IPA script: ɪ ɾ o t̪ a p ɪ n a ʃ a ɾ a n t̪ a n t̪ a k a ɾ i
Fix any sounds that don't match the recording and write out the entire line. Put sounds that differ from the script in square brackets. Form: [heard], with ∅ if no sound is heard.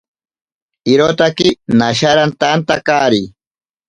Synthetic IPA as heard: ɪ ɾ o t̪ a [k] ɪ n a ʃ a ɾ a n t̪ a n t̪ a k a ɾ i